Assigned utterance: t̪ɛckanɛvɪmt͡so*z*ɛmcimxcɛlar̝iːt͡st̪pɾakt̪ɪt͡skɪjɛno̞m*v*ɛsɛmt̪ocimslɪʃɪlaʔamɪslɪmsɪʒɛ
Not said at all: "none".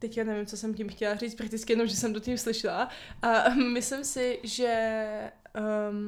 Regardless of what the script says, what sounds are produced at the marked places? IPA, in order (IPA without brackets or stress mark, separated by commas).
s, ʒ